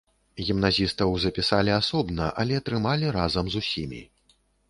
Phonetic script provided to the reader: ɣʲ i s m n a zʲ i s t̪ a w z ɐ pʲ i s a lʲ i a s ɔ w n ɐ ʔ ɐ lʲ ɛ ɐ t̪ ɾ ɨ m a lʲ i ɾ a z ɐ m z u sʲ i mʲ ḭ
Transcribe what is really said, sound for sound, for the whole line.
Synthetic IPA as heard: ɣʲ i m n a zʲ i s t̪ ɐ w z ɐ pʲ i s a lʲ i a s ɔ b n ɐ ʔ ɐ lʲ ɛ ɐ t̪ ɾ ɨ m a lʲ i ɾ a z ɐ m z u sʲ i mʲ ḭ